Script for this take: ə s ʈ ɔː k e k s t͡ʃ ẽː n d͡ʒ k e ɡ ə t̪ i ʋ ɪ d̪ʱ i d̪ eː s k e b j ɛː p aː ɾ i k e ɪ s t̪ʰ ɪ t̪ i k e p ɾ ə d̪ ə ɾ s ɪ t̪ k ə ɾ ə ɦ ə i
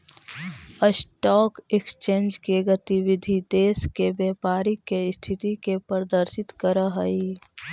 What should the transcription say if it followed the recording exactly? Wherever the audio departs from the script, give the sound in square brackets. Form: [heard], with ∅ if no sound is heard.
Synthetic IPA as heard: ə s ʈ ɔː k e k s t͡ʃ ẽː n d͡ʒ k e ɡ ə t̪ i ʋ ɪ d̪ʱ i d̪ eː s k e b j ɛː p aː ɾ i k e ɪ s t̪ʰ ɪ t̪ i k e p ɾ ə d̪ ə ɾ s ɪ t̪ k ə ɾ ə ɦ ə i